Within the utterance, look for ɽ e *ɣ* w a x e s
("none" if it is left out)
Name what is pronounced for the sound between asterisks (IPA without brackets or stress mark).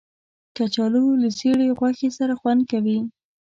ɣ